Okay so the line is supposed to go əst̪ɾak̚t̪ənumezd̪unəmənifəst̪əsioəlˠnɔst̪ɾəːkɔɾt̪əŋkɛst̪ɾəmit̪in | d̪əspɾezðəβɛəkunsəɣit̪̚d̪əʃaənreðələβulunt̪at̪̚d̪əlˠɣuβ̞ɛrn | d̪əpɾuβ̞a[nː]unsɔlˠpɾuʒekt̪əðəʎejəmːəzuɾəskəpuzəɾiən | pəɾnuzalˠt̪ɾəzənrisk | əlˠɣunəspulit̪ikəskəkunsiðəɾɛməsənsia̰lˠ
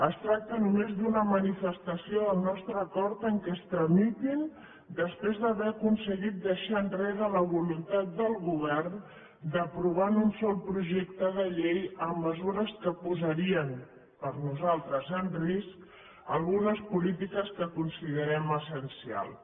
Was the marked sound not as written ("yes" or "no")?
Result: yes